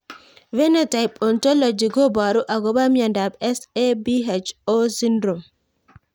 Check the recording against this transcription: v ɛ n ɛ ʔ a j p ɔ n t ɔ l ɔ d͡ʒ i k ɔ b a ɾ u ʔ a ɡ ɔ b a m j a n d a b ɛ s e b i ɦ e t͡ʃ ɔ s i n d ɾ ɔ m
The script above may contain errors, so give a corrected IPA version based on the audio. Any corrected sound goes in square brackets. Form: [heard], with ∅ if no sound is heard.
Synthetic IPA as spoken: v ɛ n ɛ [t] a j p ɔ n t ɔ l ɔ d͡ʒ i [ɡ] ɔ b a ɾ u ʔ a ɡ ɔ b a m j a n d a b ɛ s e b i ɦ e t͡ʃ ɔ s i n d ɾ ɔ m